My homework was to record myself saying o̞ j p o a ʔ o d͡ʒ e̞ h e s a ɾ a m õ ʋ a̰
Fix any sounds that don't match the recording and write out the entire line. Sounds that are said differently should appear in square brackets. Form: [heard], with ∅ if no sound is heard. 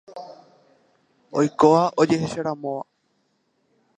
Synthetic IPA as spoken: o̞ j [k] o a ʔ o d͡ʒ e̞ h e [ʃ] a ɾ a m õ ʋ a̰

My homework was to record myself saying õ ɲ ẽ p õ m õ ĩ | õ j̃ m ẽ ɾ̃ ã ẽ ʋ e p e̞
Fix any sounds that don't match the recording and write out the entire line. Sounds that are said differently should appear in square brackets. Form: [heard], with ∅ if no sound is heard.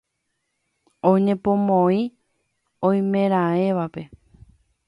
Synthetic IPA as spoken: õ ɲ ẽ p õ m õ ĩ | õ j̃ m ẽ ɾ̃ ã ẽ ʋ [a] p e̞

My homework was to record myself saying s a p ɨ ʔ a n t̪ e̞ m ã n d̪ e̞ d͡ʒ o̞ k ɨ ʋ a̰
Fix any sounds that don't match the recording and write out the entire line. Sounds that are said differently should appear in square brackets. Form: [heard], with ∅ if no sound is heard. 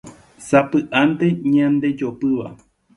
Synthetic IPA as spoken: s a p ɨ ʔ a n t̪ e̞ [ɲ] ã n d̪ e̞ d͡ʒ o̞ [p] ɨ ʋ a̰

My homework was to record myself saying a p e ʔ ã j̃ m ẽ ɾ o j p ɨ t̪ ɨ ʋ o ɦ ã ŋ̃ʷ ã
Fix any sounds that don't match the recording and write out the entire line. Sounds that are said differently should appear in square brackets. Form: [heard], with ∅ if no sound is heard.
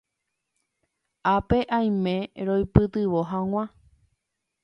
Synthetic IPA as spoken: a p e ʔ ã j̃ m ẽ ɾ o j p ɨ t̪ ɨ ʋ o ɦ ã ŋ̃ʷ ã

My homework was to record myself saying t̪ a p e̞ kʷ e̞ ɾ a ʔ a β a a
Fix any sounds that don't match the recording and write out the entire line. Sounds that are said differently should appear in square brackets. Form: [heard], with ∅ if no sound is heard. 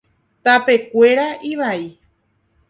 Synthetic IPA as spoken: t̪ a p e̞ kʷ e̞ ɾ a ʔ [i] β a [i]

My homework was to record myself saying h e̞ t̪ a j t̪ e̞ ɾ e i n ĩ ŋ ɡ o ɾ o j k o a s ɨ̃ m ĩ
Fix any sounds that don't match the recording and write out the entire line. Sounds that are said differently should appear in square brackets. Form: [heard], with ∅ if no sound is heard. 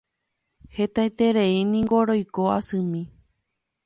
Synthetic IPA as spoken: h e̞ t̪ a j t̪ e̞ ɾ e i n ĩ ŋ ɡ o ɾ o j k o a s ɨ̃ m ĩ

